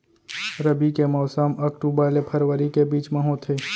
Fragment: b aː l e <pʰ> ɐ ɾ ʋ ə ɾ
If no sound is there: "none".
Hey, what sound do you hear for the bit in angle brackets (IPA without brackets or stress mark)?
pʰ